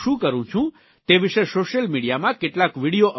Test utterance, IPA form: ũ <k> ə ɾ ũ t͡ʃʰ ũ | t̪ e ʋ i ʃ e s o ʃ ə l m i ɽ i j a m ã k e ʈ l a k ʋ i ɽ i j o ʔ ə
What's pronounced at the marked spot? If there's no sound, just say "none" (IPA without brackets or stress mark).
k